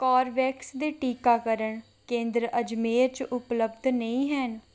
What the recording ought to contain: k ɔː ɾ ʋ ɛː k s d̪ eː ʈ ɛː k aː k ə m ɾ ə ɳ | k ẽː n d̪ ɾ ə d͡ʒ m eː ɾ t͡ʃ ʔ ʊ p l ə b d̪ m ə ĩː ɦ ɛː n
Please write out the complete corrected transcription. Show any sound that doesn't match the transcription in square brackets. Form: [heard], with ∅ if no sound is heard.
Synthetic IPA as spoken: k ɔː ɾ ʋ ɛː k s d̪ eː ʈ [iː] k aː k ə [∅] ɾ ə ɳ | k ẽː n d̪ ɾ ə d͡ʒ m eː ɾ t͡ʃ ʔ ʊ p l ə b d̪ [n] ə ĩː ɦ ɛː n